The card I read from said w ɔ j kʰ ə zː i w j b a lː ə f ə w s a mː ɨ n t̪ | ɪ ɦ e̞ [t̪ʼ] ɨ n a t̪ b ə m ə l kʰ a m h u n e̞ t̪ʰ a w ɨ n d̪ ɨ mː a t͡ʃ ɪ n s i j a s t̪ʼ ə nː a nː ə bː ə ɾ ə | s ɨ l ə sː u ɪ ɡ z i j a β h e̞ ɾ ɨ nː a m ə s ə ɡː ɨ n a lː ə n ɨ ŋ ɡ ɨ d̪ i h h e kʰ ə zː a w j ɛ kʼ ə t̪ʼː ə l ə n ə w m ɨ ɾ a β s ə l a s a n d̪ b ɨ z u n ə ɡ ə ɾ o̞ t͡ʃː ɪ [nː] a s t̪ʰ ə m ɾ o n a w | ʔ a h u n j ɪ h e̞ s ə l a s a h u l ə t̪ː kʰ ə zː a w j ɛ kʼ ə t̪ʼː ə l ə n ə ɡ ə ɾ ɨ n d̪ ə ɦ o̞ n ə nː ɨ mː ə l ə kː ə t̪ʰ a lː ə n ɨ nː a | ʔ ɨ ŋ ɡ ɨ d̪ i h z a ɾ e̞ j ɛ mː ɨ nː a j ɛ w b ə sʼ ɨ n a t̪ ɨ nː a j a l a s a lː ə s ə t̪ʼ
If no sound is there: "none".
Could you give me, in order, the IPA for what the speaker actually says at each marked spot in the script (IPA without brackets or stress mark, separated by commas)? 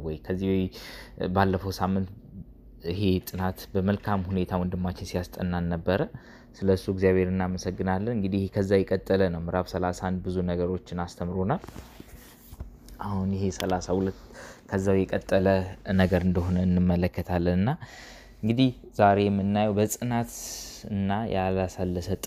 t̪ʼ, n